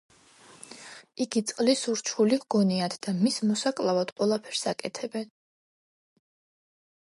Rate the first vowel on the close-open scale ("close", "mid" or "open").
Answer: close